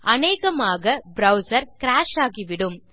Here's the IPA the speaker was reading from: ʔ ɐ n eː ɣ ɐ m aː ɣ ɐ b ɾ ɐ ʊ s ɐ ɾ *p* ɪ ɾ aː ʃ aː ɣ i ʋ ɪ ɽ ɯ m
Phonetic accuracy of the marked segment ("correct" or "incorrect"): incorrect